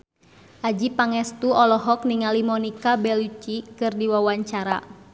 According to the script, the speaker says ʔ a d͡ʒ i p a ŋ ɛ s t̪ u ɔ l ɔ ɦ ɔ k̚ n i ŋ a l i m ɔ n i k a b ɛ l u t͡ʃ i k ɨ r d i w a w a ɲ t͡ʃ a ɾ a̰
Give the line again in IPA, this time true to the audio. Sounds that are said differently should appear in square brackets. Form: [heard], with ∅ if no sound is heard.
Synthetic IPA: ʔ a d͡ʒ i p a ŋ ɛ s t̪ u ɔ l ɔ ɦ ɔ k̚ n i ŋ a l i m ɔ n i k a b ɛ l u t͡ʃ i k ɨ r d i w a w a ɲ t͡ʃ a ɾ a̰